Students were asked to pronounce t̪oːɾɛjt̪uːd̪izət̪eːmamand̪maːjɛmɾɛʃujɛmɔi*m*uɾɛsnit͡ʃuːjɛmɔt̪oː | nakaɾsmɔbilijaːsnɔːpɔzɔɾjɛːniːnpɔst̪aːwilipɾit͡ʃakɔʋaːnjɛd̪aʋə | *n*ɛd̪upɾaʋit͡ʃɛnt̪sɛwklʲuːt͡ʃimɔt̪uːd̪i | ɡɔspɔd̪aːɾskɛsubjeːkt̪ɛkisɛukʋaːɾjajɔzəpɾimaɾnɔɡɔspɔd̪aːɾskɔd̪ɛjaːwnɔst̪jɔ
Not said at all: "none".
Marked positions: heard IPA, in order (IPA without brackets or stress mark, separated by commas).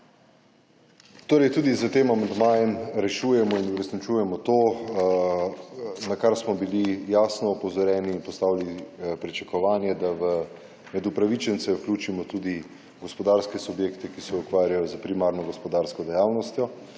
n, m